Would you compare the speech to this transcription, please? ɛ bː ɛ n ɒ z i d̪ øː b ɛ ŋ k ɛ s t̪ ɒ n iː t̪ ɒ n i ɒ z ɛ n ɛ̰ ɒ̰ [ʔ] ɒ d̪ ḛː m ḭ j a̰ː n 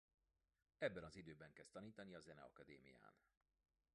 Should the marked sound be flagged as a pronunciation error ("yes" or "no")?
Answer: yes